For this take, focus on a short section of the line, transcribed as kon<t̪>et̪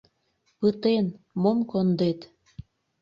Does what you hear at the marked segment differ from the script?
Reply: yes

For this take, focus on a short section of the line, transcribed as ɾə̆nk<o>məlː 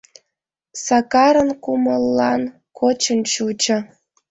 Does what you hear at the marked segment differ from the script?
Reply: yes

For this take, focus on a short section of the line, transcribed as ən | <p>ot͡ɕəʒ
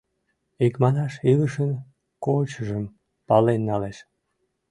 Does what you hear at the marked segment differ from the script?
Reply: yes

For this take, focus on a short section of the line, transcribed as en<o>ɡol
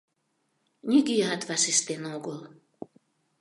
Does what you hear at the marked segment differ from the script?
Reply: no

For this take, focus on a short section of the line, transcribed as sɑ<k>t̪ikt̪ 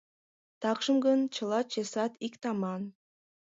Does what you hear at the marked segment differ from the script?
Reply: yes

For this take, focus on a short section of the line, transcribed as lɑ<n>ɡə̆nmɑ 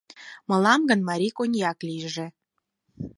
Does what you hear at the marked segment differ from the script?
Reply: yes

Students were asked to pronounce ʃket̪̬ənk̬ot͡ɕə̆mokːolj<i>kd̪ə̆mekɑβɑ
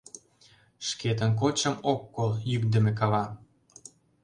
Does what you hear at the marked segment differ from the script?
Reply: yes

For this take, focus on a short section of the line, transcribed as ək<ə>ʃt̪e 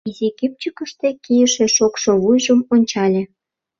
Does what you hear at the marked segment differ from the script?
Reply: no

